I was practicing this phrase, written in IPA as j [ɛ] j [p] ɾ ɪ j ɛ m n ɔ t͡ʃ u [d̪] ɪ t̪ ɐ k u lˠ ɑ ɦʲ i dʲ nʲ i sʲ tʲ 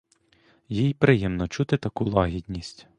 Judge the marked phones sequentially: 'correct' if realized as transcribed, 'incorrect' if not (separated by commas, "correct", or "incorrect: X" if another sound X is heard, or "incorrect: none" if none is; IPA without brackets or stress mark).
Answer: incorrect: i, correct, incorrect: t̪